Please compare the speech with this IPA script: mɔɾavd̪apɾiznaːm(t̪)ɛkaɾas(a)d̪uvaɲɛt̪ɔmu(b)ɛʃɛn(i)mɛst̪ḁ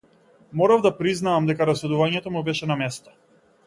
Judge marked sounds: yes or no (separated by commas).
no, no, yes, no